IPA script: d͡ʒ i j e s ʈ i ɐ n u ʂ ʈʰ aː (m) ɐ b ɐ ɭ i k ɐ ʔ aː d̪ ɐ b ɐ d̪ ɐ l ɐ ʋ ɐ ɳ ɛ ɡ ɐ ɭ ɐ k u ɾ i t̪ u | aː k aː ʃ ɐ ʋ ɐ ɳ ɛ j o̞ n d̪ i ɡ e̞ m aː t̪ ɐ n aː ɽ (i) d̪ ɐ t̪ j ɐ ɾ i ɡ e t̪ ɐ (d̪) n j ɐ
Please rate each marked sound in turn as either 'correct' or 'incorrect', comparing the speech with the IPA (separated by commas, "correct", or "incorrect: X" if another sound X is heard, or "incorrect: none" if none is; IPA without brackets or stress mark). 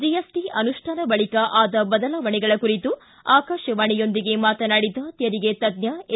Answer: incorrect: n, correct, correct